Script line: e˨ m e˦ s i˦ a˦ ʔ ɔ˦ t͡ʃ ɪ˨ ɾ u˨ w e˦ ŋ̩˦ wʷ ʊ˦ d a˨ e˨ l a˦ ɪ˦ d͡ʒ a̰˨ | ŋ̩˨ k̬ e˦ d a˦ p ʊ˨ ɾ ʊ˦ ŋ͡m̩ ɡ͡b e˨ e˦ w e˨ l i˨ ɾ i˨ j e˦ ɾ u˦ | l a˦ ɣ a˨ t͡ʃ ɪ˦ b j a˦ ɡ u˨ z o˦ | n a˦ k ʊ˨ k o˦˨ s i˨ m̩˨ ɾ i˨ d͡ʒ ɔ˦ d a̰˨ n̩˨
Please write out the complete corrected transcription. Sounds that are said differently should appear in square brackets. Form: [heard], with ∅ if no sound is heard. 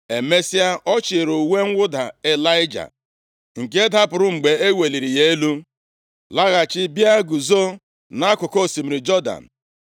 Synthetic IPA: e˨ m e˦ s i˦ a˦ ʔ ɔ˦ t͡ʃ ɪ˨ ɾ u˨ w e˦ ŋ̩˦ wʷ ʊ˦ d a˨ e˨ l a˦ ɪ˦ d͡ʒ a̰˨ | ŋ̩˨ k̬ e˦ d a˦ p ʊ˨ ɾ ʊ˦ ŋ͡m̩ ɡ͡b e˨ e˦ w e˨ l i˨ ɾ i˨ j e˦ [l] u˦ | l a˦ ɣ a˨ t͡ʃ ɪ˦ b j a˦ ɡ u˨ z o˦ | n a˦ k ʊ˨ k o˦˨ s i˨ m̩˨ ɾ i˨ d͡ʒ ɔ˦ d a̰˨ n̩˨